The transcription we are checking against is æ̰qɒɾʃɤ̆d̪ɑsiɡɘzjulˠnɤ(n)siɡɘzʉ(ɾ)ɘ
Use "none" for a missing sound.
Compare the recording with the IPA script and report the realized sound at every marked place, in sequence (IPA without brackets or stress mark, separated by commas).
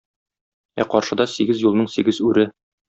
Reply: ɴ, ɾ